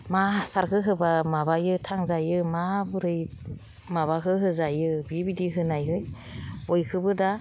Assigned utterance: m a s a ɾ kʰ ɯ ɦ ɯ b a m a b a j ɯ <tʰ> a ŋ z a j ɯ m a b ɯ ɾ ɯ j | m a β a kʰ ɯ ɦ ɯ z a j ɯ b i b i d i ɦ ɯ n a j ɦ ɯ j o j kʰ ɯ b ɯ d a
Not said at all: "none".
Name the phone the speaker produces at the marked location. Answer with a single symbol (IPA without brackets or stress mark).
tʰ